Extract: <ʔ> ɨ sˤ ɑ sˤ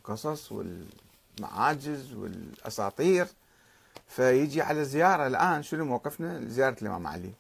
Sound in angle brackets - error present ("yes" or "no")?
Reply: yes